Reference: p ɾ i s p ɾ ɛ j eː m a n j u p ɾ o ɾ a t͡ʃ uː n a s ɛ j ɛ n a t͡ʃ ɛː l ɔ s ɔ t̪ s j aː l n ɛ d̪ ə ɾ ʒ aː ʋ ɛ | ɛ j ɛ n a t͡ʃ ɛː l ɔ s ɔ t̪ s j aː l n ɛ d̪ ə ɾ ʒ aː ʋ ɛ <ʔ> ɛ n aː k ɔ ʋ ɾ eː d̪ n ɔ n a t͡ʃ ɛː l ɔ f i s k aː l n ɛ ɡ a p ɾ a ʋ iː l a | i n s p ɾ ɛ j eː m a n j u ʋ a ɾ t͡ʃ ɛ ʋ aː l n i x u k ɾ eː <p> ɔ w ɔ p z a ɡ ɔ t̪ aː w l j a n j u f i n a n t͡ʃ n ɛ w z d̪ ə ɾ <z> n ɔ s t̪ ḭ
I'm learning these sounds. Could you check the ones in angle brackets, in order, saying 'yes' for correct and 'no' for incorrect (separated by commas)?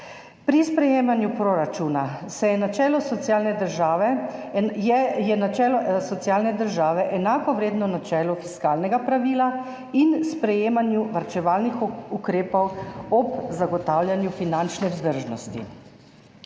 yes, yes, no